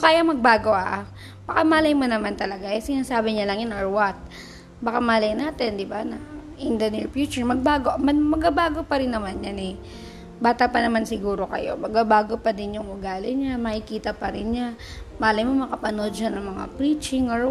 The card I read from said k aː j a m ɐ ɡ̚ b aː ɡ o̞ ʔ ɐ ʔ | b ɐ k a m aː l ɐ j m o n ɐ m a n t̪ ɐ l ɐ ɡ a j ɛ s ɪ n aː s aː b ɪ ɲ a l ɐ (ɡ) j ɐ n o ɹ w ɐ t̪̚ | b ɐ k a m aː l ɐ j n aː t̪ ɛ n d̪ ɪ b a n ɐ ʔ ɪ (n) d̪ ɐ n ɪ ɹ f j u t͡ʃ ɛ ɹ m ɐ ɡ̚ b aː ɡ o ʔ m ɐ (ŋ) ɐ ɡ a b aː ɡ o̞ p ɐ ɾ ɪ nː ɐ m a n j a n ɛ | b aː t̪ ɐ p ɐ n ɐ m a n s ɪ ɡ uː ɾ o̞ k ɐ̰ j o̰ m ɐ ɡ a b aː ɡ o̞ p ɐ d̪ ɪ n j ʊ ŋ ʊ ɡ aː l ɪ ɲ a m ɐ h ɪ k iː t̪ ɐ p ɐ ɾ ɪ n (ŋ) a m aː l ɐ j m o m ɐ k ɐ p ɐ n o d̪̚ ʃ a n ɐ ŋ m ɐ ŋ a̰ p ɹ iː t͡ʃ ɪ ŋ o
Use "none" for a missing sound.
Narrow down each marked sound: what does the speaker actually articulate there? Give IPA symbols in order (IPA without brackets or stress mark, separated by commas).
ŋ, n, m, ɲ